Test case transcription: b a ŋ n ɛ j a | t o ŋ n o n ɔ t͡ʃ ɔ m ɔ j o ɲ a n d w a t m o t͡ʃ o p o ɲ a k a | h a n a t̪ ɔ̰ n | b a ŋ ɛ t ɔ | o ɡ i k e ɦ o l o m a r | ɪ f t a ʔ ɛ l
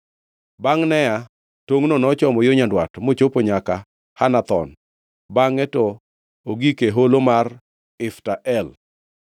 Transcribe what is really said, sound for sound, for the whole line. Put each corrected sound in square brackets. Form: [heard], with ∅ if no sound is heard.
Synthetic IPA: b a ŋ n ɛ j a | t o ŋ n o n ɔ t͡ʃ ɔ m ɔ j o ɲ a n d w a t m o t͡ʃ o p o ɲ a k a | h a n a t̪ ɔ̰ n | b a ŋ ɛ t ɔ | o ɡ i k e ɦ o l o m a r | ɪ f t a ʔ ɛ l